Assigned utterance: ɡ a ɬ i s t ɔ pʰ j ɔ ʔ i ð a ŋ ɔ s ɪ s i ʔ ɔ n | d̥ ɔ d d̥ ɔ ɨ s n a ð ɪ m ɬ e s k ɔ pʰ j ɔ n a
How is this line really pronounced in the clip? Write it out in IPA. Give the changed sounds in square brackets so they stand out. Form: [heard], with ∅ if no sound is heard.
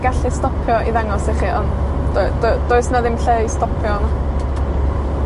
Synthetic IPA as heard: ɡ a ɬ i s t ɔ pʰ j ɔ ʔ i ð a ŋ ɔ s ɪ [χ] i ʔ ɔ n | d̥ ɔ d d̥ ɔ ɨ s n a ð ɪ m ɬ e s [t] ɔ pʰ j ɔ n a

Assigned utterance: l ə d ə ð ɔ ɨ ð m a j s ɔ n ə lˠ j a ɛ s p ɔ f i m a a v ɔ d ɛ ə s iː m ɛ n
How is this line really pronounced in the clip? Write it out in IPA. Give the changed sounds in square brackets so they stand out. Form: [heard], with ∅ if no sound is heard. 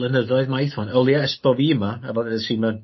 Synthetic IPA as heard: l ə [n] ə ð ɔ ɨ ð m a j [θ] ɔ n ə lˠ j a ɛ s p ɔ [v] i m a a v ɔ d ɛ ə s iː m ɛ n

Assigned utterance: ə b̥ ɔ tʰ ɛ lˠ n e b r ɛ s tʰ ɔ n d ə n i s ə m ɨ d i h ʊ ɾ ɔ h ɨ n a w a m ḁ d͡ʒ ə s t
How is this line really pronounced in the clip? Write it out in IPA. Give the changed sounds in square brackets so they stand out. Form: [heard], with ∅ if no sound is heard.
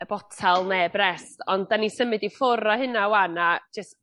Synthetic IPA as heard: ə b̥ ɔ tʰ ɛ lˠ n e b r ɛ s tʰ ɔ n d [a] n i s ə m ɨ d i [f] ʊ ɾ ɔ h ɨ n a w a [n] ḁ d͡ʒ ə s t

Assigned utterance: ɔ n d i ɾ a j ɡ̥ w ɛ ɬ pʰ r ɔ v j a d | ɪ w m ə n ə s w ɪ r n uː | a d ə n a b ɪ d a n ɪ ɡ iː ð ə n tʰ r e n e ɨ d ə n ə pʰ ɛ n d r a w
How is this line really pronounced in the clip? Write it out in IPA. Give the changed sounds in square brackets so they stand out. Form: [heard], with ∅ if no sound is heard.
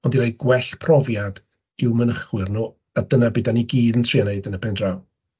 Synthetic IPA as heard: ɔ n d i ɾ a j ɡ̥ w ɛ ɬ pʰ r ɔ v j a d | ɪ w m ə n ə [χ] w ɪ r n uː | a d ə n a b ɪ d a n [i] ɡ iː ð ə n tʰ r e n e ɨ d ə n ə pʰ ɛ n d r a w

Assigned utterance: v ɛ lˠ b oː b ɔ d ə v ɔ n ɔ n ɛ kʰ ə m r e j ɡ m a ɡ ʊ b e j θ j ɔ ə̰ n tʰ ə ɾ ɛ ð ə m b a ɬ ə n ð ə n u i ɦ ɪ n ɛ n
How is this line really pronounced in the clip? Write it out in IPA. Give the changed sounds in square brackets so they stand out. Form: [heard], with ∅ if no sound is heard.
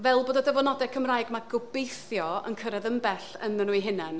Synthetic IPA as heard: v ɛ lˠ b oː [d] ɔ d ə v ɔ n ɔ [d] ɛ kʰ ə m r [a] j ɡ m a ɡ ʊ b e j θ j ɔ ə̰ n [kʰ] ə ɾ ɛ ð ə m b [ɛ] ɬ ə n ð ə n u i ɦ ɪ n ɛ n

